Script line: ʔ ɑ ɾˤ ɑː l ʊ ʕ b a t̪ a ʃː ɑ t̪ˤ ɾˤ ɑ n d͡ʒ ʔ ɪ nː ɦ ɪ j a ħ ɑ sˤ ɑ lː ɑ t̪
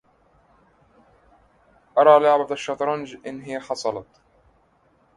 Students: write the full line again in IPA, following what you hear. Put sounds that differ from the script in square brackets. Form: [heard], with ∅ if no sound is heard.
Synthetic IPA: ʔ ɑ ɾˤ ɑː l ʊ ʕ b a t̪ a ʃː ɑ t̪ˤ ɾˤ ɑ n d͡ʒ ʔ ɪ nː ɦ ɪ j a ħ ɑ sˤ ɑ [l] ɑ t̪